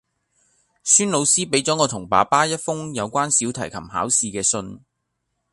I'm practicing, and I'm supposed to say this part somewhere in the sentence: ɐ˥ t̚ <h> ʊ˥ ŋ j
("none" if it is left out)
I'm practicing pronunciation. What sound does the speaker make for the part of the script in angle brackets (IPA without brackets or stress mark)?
f